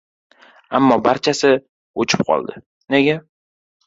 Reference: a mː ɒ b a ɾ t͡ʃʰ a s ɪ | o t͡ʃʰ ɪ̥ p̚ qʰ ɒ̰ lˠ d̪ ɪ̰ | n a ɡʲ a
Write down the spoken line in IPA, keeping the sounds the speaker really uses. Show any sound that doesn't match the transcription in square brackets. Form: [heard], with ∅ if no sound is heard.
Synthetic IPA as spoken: a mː ɒ b a ɾ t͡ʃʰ a s ɪ | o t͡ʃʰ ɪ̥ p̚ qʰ ɒ̰ lˠ d̪ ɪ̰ | n [e] ɡʲ a